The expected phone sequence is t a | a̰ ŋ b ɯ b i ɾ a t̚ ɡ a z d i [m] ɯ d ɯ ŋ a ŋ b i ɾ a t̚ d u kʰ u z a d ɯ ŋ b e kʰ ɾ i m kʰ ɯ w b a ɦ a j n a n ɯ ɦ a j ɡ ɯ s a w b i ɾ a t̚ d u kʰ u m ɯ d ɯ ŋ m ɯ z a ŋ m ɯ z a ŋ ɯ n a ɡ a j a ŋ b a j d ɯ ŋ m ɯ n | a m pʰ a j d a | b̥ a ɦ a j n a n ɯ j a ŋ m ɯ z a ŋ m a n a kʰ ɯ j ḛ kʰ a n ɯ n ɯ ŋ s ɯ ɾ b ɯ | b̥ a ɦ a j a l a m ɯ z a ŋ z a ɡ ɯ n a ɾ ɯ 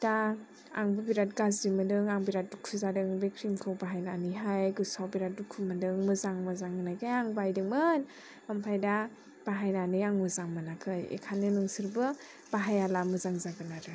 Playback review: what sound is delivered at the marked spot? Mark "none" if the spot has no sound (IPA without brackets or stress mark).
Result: m